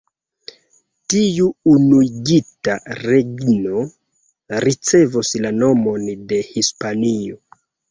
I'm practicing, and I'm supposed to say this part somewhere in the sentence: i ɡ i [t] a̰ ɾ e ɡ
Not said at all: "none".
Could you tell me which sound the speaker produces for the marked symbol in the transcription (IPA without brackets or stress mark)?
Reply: t